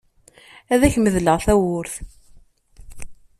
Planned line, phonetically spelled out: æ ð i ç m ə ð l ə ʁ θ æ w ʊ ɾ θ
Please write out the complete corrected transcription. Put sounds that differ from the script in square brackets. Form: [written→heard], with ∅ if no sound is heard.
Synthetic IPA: æ ð [i→æ] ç m ə ð l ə ʁ θ æ w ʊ ɾ θ